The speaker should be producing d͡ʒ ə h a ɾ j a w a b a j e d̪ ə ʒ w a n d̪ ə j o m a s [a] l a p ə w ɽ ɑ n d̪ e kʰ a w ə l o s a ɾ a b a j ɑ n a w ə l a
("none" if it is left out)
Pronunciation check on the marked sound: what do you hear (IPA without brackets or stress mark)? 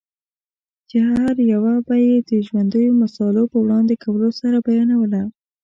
ɑ